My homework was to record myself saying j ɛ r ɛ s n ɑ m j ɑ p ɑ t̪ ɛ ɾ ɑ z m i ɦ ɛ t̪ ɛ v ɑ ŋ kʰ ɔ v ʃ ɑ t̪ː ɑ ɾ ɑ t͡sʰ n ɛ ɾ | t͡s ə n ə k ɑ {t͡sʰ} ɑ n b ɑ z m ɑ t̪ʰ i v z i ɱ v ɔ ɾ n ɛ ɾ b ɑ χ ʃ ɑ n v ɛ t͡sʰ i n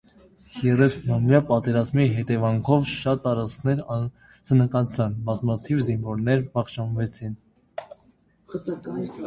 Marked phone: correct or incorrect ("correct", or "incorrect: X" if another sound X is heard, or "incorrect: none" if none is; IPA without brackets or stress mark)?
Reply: correct